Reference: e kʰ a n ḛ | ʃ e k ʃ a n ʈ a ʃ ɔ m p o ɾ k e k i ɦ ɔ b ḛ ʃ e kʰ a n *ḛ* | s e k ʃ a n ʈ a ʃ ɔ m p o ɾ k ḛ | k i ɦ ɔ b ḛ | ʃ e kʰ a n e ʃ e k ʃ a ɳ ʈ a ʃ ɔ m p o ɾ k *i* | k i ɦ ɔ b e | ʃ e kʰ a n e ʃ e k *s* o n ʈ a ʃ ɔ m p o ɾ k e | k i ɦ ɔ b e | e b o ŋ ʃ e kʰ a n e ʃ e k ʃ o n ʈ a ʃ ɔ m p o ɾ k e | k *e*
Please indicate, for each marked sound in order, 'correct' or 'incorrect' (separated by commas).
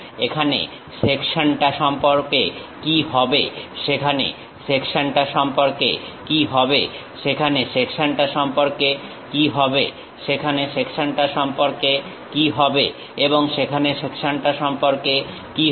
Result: correct, incorrect, incorrect, incorrect